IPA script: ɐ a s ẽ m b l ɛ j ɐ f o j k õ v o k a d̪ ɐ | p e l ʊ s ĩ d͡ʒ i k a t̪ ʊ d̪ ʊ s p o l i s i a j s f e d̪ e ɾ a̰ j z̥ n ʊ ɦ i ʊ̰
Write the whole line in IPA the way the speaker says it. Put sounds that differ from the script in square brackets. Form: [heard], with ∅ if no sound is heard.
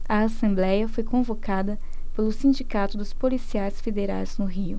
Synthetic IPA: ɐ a s ẽ m b l ɛ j ɐ f o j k õ v o k a d̪ ɐ | p e l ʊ s ĩ d͡ʒ i k a t̪ ʊ d̪ ʊ s p o l i s i a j s f e d̪ e ɾ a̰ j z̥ n ʊ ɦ i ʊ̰